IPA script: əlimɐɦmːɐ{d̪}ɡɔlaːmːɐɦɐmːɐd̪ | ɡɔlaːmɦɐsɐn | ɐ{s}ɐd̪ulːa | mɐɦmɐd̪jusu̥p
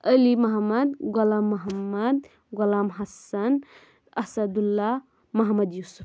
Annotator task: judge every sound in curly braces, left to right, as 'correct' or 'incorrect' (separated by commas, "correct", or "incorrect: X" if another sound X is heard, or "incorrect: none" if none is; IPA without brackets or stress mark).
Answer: correct, correct